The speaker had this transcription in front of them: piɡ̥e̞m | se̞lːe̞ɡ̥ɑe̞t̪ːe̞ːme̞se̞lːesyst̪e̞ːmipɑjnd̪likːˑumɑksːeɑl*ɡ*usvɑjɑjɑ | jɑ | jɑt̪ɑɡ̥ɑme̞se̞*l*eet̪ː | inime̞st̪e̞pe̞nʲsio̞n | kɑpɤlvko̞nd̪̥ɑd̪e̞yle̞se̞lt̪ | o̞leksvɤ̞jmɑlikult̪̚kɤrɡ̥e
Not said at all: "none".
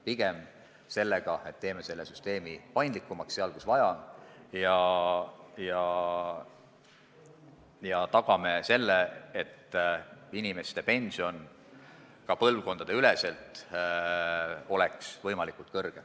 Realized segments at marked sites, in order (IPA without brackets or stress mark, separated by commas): k, lː